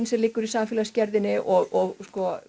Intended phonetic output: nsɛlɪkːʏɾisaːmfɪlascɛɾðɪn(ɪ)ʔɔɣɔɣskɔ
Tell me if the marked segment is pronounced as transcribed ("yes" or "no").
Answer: yes